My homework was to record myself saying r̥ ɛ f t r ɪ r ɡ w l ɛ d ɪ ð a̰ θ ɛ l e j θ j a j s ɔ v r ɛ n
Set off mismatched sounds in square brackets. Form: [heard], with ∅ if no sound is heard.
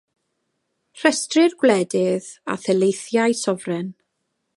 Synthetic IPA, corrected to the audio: r̥ ɛ [s] t r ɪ r ɡ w l ɛ d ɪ ð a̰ θ ɛ l e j θ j a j s ɔ v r ɛ n